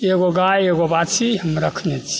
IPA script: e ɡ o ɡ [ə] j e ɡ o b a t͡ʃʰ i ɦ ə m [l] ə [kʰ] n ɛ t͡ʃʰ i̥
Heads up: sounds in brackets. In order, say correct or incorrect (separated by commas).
incorrect, incorrect, correct